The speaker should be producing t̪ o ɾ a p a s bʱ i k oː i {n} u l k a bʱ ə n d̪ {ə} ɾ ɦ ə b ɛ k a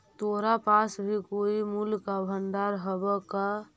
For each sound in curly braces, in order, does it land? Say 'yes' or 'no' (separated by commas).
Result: no, no